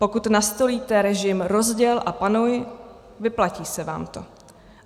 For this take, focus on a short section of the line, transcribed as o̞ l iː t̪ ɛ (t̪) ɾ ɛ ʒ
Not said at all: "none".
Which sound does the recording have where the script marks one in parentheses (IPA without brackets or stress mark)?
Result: none